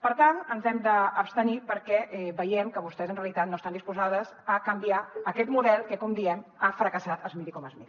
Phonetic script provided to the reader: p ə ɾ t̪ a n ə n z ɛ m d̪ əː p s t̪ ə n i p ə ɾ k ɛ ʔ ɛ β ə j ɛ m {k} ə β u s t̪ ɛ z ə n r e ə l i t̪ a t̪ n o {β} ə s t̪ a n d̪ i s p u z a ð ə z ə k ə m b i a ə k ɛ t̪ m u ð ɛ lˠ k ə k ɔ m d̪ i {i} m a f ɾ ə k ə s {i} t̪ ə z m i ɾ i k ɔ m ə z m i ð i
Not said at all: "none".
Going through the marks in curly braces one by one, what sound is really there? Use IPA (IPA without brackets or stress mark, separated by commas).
k, none, ɛ, a